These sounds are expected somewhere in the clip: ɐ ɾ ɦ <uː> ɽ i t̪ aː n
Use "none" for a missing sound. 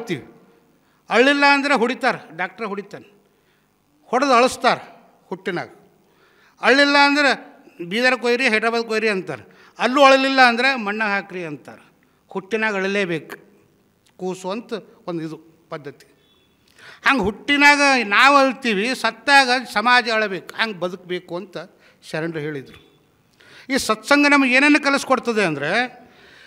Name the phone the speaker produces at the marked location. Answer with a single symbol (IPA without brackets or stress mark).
u